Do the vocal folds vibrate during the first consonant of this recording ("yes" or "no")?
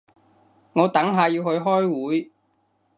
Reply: yes